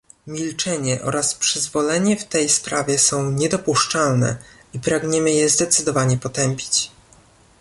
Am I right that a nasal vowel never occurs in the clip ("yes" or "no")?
no